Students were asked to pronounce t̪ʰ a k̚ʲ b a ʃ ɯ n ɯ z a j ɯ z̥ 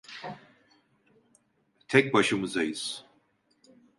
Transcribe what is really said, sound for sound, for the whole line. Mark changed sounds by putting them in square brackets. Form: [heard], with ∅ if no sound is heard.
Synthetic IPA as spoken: t̪ʰ [ɛ] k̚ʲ b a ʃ ɯ [m] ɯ z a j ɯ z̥